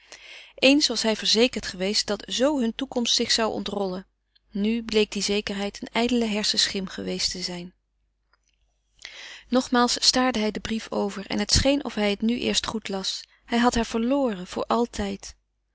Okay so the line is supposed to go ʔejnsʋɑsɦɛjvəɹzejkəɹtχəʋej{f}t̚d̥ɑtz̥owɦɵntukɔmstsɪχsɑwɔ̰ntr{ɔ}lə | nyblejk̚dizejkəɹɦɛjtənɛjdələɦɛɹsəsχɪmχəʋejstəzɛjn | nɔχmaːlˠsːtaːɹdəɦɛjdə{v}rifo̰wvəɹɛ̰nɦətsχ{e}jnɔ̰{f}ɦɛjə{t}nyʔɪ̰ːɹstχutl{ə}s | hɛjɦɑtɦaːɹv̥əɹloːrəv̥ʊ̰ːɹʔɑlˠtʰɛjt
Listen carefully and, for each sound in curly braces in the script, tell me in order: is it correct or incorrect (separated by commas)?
incorrect, correct, incorrect, correct, correct, correct, incorrect